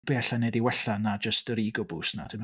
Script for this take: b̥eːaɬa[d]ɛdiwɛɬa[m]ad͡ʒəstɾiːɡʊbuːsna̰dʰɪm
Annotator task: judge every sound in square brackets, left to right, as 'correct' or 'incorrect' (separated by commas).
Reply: incorrect, incorrect